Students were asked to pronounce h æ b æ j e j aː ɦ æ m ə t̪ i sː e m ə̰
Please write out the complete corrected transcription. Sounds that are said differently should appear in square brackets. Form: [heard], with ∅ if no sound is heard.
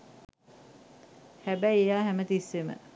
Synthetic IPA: h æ b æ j e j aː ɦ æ m ə t̪ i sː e m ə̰